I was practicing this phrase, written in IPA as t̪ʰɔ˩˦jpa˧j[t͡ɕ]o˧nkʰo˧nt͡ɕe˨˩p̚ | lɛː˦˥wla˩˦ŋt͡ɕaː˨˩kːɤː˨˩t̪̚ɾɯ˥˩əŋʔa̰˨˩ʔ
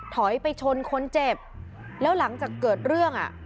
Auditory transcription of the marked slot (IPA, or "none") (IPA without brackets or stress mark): t͡ɕʰ